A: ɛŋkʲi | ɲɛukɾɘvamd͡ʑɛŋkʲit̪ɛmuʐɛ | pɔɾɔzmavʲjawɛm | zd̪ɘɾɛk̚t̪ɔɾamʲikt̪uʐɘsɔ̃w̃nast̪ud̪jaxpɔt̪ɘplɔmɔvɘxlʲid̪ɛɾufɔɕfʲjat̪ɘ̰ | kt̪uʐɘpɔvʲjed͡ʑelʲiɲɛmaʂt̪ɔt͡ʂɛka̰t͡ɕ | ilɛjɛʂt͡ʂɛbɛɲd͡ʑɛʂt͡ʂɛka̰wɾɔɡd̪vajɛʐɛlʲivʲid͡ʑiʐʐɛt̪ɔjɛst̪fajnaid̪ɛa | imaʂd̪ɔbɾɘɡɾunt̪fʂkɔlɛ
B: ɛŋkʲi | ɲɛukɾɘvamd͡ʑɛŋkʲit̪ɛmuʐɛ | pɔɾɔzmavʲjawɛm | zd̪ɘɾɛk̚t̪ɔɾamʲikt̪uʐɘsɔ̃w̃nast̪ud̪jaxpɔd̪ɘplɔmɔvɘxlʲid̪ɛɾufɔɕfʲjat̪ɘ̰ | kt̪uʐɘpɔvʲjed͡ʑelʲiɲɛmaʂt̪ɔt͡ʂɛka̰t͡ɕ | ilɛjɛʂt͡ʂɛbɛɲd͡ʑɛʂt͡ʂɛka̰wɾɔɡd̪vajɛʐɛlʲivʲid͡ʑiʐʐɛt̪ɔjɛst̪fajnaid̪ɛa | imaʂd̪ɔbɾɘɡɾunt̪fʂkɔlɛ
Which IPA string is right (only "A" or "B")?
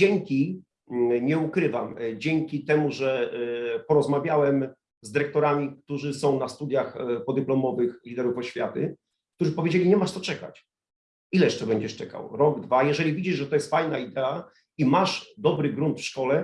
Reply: B